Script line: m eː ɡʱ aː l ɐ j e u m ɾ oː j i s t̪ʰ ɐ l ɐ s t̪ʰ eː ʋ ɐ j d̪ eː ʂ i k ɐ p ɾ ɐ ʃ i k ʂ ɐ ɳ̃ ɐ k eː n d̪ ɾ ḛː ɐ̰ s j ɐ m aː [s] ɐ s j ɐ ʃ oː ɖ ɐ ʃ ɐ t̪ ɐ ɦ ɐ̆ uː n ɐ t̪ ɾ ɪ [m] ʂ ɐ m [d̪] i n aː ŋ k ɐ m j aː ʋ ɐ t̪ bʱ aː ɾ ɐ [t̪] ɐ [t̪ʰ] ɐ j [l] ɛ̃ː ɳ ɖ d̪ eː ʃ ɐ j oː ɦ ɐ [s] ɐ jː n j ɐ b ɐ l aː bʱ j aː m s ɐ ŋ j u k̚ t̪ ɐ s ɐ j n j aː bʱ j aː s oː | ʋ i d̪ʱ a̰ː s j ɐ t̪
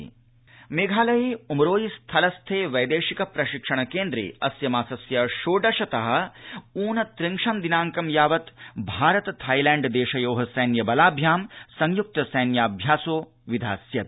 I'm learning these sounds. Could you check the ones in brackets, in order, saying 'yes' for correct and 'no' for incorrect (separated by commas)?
yes, no, yes, yes, yes, yes, yes